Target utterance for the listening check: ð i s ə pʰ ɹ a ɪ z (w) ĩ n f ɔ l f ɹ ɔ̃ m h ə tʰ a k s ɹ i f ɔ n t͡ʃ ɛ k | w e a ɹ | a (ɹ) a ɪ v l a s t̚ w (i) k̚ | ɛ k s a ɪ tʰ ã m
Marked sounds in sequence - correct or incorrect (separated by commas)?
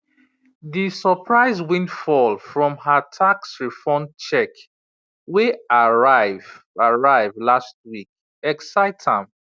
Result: correct, correct, correct